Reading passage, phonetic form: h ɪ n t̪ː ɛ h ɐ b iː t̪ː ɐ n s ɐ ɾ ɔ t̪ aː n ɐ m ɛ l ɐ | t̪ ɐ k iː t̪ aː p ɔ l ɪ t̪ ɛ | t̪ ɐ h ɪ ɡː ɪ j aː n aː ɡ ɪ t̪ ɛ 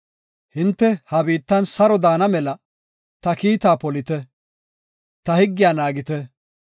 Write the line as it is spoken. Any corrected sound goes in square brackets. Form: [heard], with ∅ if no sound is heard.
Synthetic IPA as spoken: h ɪ n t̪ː ɛ h ɐ b iː t̪ː ɐ n s ɐ ɾ ɔ [d̪] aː n ɐ m ɛ l ɐ | t̪ ɐ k iː t̪ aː p ɔ l ɪ t̪ ɛ | t̪ ɐ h ɪ ɡː ɪ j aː n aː ɡ ɪ t̪ ɛ